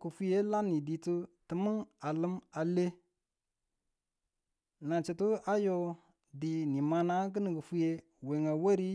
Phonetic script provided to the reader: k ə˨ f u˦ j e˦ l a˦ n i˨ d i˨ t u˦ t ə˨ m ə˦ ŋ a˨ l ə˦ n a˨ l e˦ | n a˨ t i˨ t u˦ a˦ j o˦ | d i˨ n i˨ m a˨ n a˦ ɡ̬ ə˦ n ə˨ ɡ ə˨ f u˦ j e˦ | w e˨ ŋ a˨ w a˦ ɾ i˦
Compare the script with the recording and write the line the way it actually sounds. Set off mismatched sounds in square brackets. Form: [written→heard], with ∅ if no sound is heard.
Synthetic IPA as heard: k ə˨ f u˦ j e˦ l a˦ n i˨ d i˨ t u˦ t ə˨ m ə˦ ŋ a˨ l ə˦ [n→m] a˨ l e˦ | n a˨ [t→t͡ʃ] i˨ t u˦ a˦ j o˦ | d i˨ n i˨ m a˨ n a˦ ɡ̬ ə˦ n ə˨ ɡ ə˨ f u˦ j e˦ | w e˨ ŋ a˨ w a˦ ɾ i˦